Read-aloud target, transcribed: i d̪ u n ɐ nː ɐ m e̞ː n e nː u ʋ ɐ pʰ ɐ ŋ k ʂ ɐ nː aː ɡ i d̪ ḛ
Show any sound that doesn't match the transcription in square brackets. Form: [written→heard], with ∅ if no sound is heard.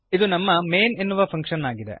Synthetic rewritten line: i d̪ u n ɐ [nː→mː] ɐ m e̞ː n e nː u ʋ ɐ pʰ ɐ ŋ k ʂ ɐ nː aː ɡ i d̪ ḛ